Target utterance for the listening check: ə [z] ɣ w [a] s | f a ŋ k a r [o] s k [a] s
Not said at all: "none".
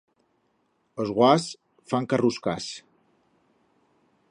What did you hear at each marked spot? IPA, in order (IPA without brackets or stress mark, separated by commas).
z, a, u, a